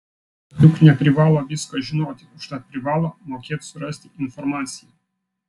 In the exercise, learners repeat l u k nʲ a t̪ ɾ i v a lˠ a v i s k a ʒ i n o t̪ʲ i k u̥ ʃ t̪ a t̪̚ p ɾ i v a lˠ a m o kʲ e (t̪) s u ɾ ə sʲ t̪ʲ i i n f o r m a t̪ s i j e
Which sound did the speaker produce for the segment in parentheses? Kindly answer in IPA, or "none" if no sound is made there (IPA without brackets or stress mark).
t̪